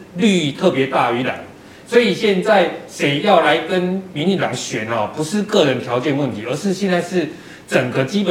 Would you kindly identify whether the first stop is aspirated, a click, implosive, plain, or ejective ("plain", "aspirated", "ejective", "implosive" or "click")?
aspirated